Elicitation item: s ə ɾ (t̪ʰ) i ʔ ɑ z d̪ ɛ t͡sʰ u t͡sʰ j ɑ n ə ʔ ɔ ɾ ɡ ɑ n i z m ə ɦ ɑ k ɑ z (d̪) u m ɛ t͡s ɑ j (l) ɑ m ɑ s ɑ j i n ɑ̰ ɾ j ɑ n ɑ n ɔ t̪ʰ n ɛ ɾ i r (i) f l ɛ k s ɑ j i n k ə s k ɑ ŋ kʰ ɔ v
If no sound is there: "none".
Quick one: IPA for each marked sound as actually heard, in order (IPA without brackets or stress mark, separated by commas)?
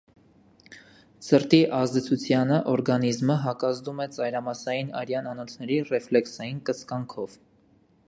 t̪, d̪, ɾ, ɛ